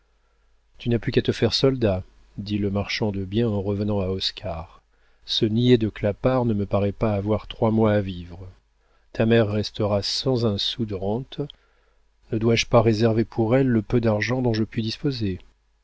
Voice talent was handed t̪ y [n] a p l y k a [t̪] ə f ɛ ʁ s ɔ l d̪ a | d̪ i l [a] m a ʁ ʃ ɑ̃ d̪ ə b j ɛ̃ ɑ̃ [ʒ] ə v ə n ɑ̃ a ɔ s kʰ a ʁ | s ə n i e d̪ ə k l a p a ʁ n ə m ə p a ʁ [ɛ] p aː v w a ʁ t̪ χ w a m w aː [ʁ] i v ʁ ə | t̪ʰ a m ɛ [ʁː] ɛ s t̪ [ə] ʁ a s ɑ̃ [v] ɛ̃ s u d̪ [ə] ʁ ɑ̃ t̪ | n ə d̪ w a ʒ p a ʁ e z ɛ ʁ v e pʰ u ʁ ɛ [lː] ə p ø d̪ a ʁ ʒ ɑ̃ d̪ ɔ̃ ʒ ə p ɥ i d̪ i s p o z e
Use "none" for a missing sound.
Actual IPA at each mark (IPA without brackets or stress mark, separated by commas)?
n, t̪, ə, ʁ, ɛ, v, ʁː, ə, z, ə, lː